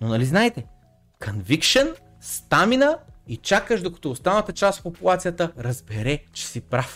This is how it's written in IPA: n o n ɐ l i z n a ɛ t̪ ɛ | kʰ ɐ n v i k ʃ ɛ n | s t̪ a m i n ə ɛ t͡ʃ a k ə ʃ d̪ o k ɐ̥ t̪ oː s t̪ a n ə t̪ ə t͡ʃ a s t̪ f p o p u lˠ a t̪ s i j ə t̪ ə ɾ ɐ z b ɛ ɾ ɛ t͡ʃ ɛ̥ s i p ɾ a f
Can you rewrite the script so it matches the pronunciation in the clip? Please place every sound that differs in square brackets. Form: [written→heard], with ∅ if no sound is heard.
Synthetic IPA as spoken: n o n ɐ l i z n a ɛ t̪ ɛ | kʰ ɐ n v i k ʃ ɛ n | s t̪ a m i n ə [ɛ→i] t͡ʃ a k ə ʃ d̪ o k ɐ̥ t̪ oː s t̪ a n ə t̪ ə t͡ʃ a s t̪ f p o p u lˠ a t̪ s i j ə t̪ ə ɾ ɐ z b ɛ ɾ ɛ t͡ʃ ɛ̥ s i p ɾ a f